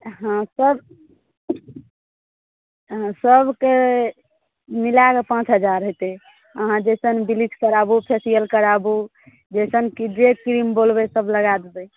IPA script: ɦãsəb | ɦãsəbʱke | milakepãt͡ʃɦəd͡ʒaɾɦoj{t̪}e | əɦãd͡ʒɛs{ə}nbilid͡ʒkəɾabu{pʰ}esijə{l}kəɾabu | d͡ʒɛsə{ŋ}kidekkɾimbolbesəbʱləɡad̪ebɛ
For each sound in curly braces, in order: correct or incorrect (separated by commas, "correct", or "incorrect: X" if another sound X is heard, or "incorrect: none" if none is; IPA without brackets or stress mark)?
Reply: correct, correct, correct, correct, incorrect: n